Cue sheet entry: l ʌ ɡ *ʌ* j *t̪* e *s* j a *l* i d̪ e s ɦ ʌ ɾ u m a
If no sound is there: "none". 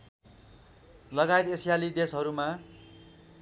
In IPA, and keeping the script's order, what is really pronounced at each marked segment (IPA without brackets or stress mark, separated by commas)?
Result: a, t̪, s, l